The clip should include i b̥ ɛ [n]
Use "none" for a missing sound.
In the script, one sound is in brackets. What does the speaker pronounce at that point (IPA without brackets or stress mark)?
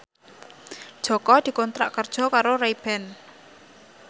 n